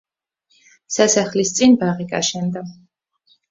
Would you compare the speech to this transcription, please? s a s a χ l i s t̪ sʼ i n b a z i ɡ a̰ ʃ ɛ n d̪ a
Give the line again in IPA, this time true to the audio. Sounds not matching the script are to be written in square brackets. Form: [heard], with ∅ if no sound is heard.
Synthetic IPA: s a s a χ l i s t̪ sʼ i n b a [ʁ] i ɡ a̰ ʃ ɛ n d̪ a